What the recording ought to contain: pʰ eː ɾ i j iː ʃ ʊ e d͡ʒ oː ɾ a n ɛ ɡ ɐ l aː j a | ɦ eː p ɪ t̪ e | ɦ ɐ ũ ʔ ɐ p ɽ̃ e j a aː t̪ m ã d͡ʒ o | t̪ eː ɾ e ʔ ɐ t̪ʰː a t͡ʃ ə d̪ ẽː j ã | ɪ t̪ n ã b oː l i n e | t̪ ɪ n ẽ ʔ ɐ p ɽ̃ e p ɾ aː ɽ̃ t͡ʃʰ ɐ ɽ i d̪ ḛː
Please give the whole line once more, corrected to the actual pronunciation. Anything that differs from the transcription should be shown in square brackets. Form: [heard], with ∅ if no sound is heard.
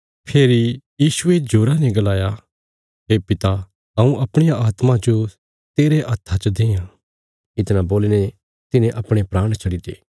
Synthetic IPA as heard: pʰ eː ɾ i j iː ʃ ʊ e d͡ʒ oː ɾ a n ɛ ɡ ɐ l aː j a | ɦ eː p ɪ t̪ [a] | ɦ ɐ ũ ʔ ɐ p ɽ̃ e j a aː t̪ m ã d͡ʒ o | t̪ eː ɾ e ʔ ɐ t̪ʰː a t͡ʃ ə d̪ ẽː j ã | ɪ t̪ n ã b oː l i n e | t̪ ɪ n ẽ ʔ ɐ p ɽ̃ e p ɾ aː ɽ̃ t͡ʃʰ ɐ ɽ i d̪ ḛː